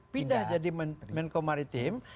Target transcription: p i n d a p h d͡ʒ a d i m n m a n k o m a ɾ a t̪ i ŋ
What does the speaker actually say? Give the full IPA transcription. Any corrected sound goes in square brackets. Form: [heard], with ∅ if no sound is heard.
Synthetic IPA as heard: p i n d a [∅] h d͡ʒ a d i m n m [ɛ] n k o m a ɾ [i] t̪ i [m]